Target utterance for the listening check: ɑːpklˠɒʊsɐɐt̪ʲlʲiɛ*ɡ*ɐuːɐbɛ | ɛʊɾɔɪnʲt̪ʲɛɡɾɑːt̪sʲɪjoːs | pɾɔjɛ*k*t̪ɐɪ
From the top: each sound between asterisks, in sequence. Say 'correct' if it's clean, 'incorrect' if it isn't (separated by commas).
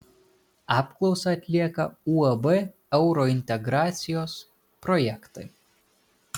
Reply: incorrect, correct